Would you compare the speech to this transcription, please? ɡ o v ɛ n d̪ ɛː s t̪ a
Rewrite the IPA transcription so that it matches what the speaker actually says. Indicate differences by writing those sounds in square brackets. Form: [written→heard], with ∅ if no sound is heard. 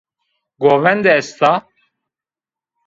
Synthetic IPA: ɡ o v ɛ n d̪ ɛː s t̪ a